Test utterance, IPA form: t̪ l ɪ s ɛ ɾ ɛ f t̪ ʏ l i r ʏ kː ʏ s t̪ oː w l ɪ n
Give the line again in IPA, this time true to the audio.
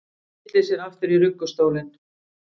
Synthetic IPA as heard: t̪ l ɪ s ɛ ɾ a f t̪ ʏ ɾ i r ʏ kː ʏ s t̪ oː w l ɪ n